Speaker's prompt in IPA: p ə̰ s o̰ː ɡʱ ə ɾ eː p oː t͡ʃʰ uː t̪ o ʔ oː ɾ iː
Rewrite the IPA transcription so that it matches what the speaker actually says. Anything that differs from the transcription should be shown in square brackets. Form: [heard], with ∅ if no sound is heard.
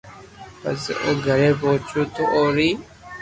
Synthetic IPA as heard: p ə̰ s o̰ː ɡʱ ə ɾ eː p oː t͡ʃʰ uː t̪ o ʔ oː ɾ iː